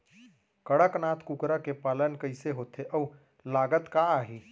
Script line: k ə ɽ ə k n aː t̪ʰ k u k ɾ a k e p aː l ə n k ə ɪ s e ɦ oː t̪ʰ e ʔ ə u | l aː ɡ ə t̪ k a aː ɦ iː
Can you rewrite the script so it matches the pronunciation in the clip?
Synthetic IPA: k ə ɽ ə k n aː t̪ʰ k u k ɾ a k e p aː l ə n k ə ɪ s e ɦ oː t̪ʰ e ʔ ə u | l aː ɡ ə t̪ k a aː ɦ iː